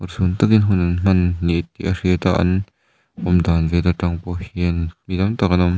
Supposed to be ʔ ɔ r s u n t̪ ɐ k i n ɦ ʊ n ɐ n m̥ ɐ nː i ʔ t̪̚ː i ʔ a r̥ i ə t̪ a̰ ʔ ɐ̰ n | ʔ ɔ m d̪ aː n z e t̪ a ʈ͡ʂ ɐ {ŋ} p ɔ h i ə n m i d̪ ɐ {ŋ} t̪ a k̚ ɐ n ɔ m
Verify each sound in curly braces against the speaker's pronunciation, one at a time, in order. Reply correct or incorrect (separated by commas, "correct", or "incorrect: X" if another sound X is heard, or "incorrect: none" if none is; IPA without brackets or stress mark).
correct, incorrect: m